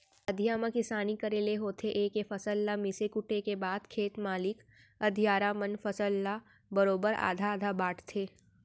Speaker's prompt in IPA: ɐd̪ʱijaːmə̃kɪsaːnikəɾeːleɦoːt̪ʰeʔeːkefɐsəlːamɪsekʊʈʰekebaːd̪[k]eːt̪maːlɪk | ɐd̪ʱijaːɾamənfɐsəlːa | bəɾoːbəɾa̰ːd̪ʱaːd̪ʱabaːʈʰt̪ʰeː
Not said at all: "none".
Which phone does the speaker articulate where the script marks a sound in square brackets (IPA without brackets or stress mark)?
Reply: kʰ